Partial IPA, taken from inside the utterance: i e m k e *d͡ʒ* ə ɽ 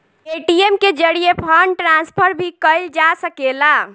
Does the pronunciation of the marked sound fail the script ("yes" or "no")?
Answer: no